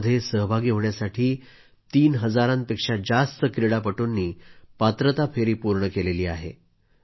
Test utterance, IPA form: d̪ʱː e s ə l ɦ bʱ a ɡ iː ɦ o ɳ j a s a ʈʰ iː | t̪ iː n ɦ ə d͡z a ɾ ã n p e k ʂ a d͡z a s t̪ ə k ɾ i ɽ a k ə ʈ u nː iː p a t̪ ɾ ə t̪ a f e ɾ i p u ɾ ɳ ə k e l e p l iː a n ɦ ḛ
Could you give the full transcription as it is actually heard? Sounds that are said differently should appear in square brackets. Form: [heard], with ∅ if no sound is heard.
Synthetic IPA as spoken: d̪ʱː e s ə [∅] ɦ bʱ a ɡ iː ɦ o ɳ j a s a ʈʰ iː | t̪ iː n ɦ ə d͡z a ɾ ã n p e k ʂ a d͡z a s t̪ ə k ɾ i ɽ a [p] ə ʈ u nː iː p a t̪ ɾ ə t̪ a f e ɾ [iː] p u ɾ ɳ ə k e l e [∅] l iː a [∅] ɦ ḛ